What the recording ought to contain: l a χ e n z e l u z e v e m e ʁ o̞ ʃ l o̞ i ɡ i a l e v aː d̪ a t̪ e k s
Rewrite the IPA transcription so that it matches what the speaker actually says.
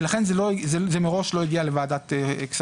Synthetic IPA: l a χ e n z e l o z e z e m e ʁ o̞ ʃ l o̞ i ɡ i a l e v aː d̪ a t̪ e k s